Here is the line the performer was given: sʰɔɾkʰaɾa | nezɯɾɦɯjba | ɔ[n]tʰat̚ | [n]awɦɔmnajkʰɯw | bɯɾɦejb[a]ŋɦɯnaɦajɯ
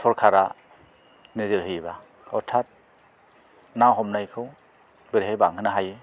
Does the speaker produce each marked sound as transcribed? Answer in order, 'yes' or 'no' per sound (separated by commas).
no, yes, yes